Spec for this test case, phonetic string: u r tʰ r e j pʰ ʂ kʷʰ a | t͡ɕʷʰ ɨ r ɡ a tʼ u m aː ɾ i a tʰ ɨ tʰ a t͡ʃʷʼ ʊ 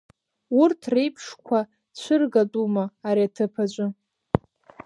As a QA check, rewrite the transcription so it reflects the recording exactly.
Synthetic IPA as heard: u r tʰ r e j pʰ ʂ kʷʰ a | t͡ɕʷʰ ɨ r ɡ a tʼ u m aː ɾ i a tʰ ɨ pʰ a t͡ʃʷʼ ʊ